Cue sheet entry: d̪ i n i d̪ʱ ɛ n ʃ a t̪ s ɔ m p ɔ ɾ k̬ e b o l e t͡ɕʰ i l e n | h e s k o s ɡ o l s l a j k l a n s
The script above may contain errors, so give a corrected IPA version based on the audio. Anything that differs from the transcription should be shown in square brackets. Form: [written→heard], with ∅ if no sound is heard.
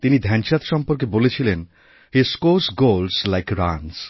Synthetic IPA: [d̪→t̪] i n i d̪ʱ ɛ n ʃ a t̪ [s→ʃ] ɔ m p [ɔ→o] ɾ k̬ e b o l e t͡ɕʰ i l e n | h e s k o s ɡ o l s l a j k [l→ɾ] a n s